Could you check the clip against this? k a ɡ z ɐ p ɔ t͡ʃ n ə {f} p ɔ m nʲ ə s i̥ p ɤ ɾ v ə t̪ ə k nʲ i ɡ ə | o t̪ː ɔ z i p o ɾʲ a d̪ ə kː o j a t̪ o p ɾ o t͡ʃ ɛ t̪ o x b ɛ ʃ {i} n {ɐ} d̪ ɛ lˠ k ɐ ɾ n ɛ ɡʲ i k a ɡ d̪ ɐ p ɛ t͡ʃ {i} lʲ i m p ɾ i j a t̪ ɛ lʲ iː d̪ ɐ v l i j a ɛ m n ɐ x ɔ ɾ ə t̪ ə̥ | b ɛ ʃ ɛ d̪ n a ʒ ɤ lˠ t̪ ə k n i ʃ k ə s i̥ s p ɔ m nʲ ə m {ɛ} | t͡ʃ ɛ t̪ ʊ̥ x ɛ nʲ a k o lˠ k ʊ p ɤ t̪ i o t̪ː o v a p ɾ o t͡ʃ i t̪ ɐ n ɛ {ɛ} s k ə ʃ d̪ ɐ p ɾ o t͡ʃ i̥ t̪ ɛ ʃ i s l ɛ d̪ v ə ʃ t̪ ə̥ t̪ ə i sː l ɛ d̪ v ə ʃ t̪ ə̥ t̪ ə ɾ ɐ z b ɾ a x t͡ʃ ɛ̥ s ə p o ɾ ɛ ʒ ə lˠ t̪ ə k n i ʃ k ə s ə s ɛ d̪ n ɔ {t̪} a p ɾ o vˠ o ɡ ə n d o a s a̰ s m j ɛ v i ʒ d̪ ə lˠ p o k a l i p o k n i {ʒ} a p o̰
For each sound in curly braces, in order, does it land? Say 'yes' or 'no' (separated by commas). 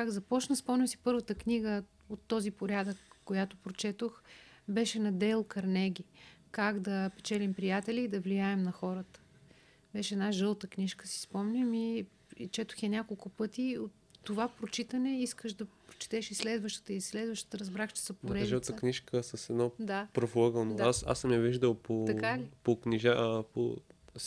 no, no, yes, no, no, no, no, yes